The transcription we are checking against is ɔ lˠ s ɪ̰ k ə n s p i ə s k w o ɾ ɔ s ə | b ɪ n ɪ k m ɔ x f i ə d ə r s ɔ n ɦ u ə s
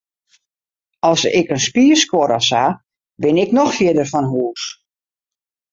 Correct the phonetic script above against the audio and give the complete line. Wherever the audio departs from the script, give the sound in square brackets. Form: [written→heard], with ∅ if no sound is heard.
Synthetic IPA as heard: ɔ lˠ s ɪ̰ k ə n s p i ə s k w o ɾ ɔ s [ə→a] | b ɪ n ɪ k [m→n] ɔ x f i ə d ə r [s→f] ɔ n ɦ u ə s